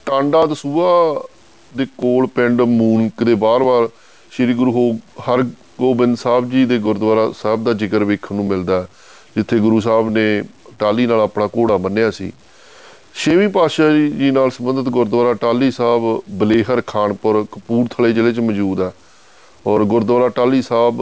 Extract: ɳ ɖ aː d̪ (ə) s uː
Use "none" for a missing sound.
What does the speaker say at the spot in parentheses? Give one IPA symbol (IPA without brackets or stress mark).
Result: ə